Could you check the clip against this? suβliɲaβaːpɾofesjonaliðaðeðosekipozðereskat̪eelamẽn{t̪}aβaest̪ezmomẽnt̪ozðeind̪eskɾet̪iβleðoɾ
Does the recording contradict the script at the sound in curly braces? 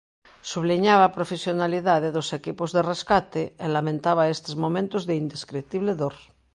no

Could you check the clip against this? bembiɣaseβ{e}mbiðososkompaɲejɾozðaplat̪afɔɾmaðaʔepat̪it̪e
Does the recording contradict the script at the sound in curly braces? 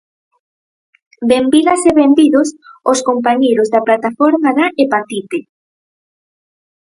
no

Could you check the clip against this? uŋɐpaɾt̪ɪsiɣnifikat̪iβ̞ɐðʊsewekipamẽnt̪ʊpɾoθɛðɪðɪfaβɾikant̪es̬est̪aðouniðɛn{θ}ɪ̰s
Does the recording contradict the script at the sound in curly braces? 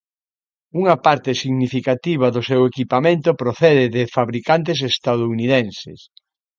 yes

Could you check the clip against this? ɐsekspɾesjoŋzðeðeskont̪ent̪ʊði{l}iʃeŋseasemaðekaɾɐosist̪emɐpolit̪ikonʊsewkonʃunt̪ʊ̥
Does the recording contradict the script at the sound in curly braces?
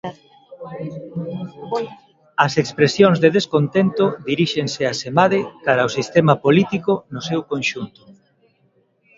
yes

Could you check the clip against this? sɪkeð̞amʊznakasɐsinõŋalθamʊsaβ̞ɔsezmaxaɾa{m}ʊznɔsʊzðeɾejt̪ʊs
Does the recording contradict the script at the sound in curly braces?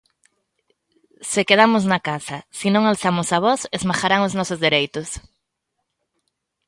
yes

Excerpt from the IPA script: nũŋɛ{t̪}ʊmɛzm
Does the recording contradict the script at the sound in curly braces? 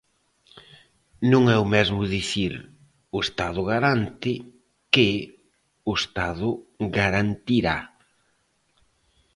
yes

